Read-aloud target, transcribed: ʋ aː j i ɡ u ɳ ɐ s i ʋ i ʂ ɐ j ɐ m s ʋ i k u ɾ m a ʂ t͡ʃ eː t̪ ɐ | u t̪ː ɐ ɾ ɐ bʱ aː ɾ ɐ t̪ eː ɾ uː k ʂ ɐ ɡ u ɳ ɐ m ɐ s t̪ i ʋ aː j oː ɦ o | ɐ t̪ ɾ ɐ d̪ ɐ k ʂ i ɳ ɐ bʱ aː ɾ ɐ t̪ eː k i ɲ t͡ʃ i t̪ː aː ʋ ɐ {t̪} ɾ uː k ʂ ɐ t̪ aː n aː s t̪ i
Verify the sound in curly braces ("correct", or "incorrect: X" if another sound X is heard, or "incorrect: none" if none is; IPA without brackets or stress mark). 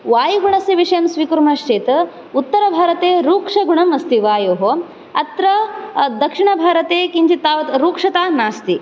correct